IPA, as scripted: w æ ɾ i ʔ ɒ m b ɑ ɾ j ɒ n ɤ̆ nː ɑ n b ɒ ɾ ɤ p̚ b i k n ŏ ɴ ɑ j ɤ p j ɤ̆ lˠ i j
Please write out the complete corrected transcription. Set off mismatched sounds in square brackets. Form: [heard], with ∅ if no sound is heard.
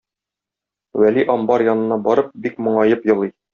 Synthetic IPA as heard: w æ [l] i ʔ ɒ m b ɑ ɾ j ɒ n ɤ̆ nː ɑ [∅] b ɒ ɾ ɤ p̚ b i k [m] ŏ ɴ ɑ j ɤ p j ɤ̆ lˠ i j